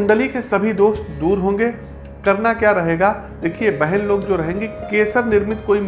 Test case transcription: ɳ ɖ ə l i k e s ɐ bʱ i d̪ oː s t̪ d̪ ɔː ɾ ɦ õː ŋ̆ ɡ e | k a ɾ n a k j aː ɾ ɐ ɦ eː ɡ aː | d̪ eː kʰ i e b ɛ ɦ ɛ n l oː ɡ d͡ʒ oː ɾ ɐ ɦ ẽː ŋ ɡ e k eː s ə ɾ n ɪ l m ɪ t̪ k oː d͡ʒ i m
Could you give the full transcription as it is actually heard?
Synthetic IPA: ɳ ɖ ə l i k e s ɐ bʱ i d̪ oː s t̪ d̪ uː ɾ ɦ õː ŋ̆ ɡ e | k ɐ ɾ n a k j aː ɾ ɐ ɦ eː ɡ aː | d̪ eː kʰ i e b ɛ ɦ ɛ n l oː ɡ d͡ʒ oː ɾ ɐ ɦ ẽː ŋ ɡ e k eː s ə ɾ n ɪ ɾ m ɪ t̪ k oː i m